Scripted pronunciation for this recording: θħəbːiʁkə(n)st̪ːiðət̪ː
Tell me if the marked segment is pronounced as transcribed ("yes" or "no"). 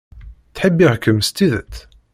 no